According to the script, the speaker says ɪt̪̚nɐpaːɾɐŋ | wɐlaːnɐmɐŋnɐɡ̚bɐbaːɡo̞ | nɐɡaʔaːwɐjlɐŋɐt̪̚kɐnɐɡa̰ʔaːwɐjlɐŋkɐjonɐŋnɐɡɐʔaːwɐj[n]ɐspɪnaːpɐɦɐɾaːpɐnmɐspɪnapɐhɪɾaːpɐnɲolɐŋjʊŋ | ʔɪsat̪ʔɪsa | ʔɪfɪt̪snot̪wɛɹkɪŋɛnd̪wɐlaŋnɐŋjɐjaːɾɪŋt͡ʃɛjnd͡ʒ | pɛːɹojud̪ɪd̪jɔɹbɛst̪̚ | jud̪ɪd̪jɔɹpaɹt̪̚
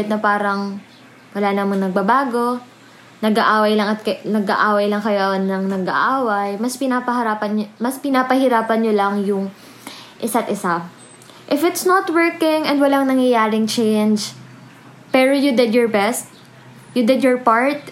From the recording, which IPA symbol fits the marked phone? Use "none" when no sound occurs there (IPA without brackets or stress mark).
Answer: m